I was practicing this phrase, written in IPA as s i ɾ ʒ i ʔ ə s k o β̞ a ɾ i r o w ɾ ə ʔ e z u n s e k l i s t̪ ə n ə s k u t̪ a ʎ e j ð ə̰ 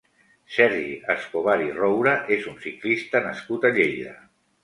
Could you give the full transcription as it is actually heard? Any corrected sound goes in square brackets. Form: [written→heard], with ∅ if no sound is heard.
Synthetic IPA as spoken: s [i→ɛ] ɾ ʒ i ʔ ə s k o β̞ a ɾ i r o w ɾ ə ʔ e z u n s [e→i] k l i s t̪ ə n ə s k u t̪ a ʎ e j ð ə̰